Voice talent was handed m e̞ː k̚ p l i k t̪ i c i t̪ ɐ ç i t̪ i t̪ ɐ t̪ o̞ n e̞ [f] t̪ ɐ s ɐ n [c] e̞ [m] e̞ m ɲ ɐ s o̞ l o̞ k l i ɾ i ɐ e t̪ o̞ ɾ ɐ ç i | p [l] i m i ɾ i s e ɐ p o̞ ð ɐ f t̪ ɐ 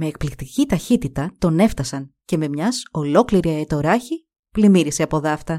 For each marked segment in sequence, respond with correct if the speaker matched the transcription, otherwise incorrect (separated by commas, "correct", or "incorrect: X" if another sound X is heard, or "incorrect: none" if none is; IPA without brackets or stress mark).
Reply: correct, correct, correct, correct